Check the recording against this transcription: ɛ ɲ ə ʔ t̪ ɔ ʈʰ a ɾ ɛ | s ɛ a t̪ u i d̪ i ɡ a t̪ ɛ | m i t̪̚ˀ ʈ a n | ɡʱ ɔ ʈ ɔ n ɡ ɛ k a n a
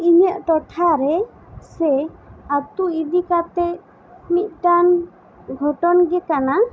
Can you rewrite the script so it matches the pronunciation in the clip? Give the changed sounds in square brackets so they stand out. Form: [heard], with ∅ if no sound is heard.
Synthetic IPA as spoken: [i] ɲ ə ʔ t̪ ɔ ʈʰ a ɾ ɛ | s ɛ a t̪ u i d̪ i [k] a t̪ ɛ | m i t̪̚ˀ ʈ a n | ɡʱ ɔ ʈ ɔ n ɡ ɛ k a n a